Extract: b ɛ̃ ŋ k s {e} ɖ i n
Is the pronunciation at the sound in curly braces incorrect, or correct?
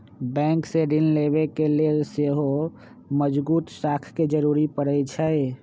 correct